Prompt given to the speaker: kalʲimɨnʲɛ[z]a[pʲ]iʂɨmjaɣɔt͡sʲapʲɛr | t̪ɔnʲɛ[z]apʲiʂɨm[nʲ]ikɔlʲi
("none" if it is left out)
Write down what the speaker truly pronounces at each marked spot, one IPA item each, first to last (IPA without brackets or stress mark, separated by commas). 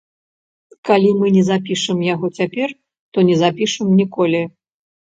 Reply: z, pʲ, z, nʲ